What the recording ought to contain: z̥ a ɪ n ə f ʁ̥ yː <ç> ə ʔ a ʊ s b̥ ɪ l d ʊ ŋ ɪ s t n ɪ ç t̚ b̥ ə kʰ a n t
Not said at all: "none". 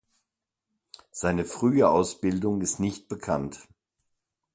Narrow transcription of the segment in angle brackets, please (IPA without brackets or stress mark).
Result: none